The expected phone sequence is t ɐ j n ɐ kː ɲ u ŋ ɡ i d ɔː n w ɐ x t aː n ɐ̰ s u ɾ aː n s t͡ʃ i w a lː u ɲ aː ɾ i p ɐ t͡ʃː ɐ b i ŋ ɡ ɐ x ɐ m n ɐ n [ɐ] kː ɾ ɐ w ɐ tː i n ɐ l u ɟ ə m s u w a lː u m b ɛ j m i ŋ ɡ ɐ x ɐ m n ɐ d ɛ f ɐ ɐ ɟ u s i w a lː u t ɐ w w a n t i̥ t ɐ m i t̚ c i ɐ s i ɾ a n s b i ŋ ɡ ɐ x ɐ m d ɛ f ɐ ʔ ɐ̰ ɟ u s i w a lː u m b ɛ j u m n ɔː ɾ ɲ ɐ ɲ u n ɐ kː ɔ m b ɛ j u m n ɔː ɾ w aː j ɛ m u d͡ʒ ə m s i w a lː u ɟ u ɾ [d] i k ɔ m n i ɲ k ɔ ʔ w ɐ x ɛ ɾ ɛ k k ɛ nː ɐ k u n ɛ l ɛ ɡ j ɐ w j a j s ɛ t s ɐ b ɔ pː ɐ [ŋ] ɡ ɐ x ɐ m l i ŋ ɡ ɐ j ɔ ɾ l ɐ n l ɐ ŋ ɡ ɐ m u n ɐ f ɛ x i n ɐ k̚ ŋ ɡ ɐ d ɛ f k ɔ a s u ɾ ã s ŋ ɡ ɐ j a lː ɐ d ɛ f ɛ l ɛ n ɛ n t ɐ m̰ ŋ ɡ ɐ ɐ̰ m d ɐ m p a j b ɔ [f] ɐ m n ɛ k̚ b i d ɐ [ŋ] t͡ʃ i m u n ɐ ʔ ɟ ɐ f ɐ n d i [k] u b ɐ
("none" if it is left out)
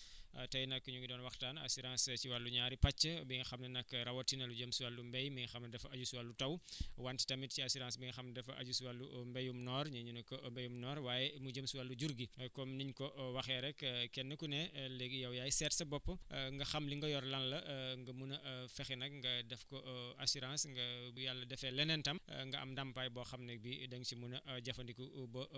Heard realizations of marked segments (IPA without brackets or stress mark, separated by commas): ɐ, ɡ, ŋ, x, ŋ, k